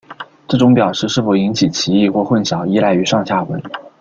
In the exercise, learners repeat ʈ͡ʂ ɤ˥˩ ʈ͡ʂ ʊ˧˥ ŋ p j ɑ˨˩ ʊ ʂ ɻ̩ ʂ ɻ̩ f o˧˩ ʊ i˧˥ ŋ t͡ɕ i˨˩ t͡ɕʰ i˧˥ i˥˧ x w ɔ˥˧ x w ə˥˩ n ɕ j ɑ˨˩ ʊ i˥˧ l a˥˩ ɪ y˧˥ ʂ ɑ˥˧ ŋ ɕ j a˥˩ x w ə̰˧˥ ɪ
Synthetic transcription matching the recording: ʈ͡ʂ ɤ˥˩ ʈ͡ʂ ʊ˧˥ ŋ p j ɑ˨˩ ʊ ʂ ɻ̩ ʂ ɻ̩ f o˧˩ ʊ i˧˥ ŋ t͡ɕʰ i˨˩ t͡ɕʰ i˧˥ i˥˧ x w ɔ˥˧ x w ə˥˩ n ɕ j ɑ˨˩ ʊ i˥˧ l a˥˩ ɪ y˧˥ ʂ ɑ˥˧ ŋ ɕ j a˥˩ x w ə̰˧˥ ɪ